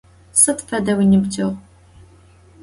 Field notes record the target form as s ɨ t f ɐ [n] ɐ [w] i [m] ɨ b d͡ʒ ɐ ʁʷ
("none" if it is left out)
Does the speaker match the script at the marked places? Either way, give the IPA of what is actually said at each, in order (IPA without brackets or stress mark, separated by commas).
d, w, n